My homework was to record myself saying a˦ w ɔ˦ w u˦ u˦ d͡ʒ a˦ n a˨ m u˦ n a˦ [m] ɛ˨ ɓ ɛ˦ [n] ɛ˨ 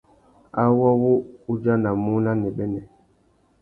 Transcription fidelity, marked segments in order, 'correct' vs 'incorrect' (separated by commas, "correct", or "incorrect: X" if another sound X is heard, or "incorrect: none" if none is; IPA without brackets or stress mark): incorrect: n, correct